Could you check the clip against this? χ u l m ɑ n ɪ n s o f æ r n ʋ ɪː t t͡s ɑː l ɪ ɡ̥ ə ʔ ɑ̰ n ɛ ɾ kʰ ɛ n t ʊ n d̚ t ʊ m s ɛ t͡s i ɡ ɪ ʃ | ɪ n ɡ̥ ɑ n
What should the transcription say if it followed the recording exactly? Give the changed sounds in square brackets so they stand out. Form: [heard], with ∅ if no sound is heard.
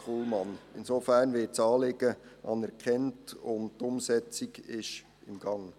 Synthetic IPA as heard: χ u l m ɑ n ɪ n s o f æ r n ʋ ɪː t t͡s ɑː l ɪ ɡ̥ ə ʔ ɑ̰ n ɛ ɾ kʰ ɛ n t ʊ n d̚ t ʊ m s ɛ t͡s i ɡ ɪ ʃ | ɪ [m] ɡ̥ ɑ [ŋ]